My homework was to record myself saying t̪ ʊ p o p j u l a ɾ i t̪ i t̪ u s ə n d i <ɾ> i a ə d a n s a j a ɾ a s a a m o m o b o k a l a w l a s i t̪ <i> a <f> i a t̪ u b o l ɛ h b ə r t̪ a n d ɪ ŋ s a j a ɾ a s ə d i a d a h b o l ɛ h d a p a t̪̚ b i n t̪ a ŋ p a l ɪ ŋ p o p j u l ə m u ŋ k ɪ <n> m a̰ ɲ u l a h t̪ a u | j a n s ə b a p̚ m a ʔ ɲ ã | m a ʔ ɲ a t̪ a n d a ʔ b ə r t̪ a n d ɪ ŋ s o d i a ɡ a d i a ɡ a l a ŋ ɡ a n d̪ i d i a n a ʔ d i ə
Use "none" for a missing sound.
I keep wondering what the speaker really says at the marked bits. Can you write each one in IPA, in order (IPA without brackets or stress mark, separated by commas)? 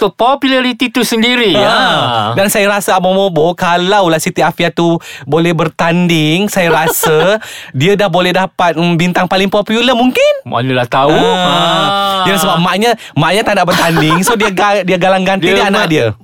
ɾ, i, f, n